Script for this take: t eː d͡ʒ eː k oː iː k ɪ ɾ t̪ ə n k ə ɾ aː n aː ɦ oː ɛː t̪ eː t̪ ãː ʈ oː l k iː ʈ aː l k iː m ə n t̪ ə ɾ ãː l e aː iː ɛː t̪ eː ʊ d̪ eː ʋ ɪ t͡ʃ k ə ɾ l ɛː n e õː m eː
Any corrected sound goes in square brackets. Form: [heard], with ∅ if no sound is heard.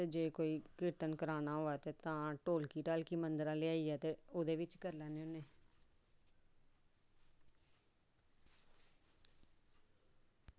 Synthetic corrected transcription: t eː d͡ʒ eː k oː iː k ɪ ɾ t̪ ə n k ə ɾ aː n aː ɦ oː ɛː t̪ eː t̪ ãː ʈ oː l k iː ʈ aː l k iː m ə n [d̪] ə ɾ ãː l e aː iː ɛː t̪ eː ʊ d̪ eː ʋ ɪ t͡ʃ k ə ɾ l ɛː n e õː [n] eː

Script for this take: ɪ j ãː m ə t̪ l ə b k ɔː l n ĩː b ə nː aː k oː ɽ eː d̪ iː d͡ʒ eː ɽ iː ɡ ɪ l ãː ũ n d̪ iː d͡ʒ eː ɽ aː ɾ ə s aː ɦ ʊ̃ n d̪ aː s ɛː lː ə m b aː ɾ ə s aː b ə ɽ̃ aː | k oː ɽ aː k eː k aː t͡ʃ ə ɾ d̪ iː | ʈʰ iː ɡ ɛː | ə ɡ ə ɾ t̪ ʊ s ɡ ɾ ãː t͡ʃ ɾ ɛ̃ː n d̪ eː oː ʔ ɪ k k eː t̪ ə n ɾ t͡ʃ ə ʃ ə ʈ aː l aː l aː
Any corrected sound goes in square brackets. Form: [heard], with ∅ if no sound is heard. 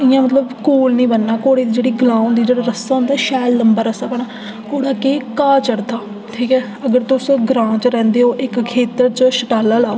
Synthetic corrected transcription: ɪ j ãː m ə t̪ l ə b k [uː] l n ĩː b ə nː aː k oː ɽ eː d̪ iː d͡ʒ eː ɽ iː ɡ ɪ l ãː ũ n d̪ iː d͡ʒ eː ɽ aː ɾ ə s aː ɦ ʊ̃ n d̪ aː [ʃ] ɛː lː ə m b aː ɾ ə s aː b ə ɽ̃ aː | k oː ɽ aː k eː k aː t͡ʃ ə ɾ d̪ [aː] | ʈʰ iː [k] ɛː | ə ɡ ə ɾ t̪ ʊ s ɡ ɾ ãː t͡ʃ ɾ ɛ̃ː n d̪ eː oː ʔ ɪ k [kʰ] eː t̪ ə [∅] ɾ t͡ʃ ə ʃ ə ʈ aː l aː l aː

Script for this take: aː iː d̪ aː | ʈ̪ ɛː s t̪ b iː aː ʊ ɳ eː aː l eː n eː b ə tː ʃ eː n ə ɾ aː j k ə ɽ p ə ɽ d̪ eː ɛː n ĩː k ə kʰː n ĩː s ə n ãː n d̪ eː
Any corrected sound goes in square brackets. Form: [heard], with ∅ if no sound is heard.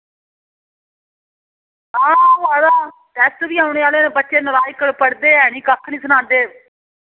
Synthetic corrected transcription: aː [aː] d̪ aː | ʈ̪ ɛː s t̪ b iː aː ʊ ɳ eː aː l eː n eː b ə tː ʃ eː n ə ɾ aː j k ə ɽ p ə ɽ d̪ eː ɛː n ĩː k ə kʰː n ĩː s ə n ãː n d̪ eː

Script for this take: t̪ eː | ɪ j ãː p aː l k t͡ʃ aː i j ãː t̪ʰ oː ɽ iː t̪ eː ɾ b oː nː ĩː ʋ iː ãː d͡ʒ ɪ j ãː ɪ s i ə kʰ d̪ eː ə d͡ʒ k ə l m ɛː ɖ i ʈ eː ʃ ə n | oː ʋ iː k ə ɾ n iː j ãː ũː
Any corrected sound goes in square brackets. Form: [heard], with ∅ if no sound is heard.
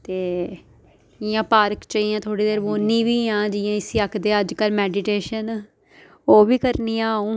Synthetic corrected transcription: t̪ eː | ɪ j ãː p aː [ɾ] k t͡ʃ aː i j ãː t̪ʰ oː ɽ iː [d̪] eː ɾ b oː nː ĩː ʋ iː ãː d͡ʒ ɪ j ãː ɪ s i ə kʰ d̪ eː ə d͡ʒ k ə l m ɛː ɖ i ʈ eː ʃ ə n | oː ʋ iː k ə ɾ n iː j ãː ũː

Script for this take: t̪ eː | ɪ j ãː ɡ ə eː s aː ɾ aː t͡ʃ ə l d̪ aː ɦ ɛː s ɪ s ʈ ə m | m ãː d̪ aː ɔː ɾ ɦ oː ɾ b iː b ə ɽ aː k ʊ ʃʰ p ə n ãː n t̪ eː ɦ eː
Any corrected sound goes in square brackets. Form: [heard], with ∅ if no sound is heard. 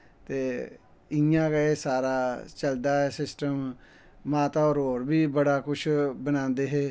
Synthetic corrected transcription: t̪ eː | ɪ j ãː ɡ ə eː s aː ɾ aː t͡ʃ ə l d̪ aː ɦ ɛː s ɪ s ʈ ə m | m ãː [t̪] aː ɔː ɾ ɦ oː ɾ b iː b ə ɽ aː k ʊ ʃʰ [b] ə n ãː n [d̪] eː ɦ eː

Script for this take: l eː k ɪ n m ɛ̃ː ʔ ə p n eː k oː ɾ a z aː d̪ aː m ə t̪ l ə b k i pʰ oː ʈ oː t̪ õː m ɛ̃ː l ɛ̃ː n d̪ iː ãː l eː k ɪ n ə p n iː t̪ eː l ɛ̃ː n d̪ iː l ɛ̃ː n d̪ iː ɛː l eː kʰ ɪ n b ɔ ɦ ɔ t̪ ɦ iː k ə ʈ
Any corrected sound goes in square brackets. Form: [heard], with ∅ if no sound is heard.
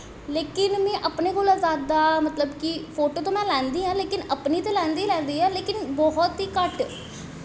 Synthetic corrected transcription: l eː k ɪ n m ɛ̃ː ʔ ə p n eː k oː [l] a z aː d̪ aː m ə t̪ l ə b k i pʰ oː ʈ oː t̪ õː m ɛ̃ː l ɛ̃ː n d̪ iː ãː l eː k ɪ n ə p n iː t̪ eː l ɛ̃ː n d̪ iː l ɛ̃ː n d̪ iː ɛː l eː [k] ɪ n b ɔ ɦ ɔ t̪ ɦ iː k ə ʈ

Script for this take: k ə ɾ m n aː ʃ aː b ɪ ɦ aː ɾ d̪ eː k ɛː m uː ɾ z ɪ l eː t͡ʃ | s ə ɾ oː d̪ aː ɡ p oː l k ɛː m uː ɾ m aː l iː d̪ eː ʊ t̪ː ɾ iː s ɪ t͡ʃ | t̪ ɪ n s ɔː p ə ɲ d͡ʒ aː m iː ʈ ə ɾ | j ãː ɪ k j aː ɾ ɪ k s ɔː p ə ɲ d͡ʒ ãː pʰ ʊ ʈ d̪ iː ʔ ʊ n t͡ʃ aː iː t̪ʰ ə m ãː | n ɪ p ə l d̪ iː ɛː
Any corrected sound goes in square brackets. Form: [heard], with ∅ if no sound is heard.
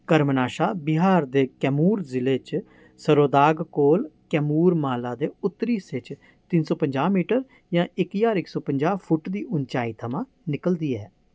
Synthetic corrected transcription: k ə ɾ m n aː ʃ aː b ɪ ɦ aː ɾ d̪ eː k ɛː m uː ɾ z ɪ l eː t͡ʃ | s ə ɾ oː d̪ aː ɡ [k] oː l k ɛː m uː ɾ m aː l [aː] d̪ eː ʊ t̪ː ɾ iː s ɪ t͡ʃ | t̪ ɪ n s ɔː p ə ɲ d͡ʒ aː m iː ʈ ə ɾ | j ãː ɪ k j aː ɾ ɪ k s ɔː p ə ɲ d͡ʒ [aː] pʰ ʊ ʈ d̪ iː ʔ ʊ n t͡ʃ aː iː t̪ʰ ə m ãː | n ɪ [k] ə l d̪ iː ɛː

